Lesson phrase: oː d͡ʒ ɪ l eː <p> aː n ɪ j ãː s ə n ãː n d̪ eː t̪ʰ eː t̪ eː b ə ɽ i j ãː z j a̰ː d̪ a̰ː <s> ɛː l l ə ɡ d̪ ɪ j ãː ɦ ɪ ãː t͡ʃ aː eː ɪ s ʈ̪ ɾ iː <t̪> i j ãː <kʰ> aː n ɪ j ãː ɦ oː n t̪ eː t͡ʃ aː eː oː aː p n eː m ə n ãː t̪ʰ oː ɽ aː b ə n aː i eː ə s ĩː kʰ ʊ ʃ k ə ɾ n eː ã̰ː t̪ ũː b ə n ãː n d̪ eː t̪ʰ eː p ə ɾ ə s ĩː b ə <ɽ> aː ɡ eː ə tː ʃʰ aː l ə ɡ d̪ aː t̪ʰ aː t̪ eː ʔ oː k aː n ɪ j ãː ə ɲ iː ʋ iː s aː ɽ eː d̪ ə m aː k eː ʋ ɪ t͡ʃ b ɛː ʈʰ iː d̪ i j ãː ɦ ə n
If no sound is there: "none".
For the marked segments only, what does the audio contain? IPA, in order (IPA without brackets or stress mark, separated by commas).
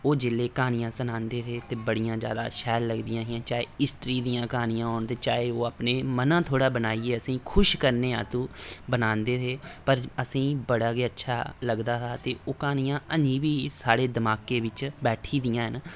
k, ʃ, d̪, k, ɽ